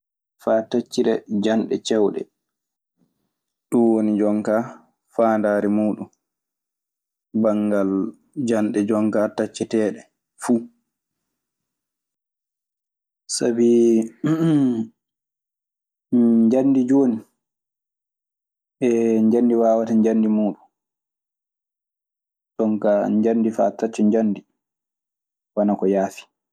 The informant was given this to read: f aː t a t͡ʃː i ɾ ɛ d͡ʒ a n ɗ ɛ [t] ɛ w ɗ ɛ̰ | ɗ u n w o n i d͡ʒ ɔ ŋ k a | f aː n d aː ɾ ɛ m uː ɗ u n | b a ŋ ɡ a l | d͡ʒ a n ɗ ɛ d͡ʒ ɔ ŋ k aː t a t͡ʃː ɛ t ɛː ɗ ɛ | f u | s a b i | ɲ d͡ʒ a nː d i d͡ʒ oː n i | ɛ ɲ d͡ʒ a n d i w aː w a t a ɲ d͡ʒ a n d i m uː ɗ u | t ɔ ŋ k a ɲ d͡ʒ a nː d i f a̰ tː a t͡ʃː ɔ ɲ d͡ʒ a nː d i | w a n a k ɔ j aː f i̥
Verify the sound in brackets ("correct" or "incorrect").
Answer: incorrect